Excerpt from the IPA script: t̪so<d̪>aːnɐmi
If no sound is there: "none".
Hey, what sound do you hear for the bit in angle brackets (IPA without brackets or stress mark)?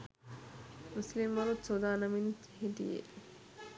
d̪